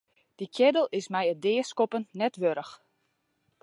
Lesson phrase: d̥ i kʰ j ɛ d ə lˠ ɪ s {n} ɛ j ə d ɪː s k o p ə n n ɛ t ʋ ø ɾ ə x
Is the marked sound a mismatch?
yes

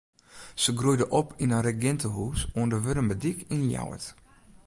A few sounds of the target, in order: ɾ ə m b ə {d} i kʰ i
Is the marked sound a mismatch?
no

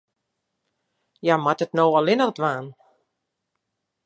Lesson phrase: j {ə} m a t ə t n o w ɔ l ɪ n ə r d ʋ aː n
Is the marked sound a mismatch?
yes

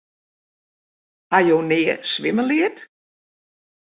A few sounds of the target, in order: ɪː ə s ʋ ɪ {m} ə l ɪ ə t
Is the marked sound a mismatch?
no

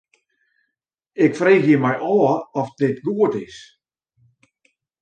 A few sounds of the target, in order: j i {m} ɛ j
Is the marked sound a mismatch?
no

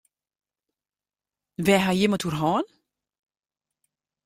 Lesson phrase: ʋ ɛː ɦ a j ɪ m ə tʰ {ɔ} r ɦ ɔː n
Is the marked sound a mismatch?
yes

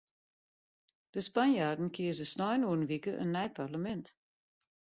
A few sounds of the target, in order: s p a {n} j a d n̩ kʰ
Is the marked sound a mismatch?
no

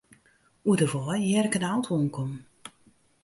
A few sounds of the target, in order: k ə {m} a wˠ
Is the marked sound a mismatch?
yes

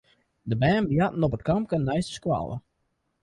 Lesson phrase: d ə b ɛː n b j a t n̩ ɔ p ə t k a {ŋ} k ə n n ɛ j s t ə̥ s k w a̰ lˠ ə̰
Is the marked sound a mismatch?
yes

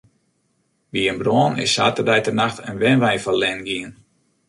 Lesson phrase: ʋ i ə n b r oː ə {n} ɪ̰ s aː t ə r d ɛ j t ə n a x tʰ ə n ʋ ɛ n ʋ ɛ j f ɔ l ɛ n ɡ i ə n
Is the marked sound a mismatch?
no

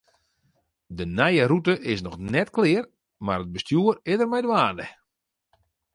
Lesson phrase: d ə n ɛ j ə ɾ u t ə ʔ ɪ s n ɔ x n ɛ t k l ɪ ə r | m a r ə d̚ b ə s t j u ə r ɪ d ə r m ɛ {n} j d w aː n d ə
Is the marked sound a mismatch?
yes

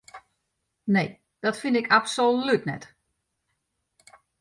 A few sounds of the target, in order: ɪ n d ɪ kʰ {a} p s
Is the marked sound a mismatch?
no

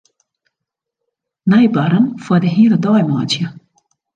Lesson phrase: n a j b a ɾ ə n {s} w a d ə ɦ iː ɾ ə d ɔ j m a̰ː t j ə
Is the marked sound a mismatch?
yes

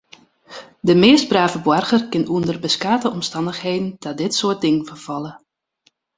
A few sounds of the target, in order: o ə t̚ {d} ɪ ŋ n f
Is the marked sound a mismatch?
no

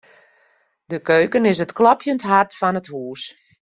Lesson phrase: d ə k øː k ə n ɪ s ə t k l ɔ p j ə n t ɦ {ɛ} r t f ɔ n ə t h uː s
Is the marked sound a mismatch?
yes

